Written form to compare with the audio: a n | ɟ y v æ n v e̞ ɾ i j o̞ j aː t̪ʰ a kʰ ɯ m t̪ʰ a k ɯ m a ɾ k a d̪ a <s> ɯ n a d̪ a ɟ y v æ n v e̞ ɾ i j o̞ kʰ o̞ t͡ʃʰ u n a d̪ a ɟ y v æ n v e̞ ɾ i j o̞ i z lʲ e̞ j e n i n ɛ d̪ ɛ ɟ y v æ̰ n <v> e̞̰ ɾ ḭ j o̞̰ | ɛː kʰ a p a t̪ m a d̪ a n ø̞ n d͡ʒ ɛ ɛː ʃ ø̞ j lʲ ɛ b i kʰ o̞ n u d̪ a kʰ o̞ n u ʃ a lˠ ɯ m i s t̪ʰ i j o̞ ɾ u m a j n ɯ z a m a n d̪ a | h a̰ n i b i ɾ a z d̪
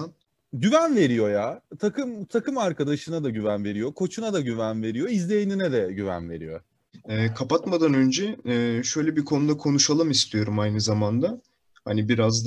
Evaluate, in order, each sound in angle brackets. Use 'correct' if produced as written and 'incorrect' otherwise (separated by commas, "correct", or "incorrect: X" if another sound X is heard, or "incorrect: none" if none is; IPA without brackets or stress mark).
incorrect: ʃ, correct